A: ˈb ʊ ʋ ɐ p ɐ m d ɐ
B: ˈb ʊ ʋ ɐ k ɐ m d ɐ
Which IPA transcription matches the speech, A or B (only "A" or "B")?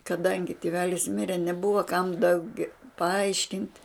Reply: B